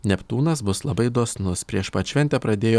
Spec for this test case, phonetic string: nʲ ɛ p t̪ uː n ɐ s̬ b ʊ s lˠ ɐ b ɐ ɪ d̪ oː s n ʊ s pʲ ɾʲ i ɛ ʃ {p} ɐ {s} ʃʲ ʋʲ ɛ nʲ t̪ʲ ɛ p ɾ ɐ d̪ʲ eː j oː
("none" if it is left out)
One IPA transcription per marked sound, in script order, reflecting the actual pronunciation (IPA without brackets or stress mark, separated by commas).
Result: p, none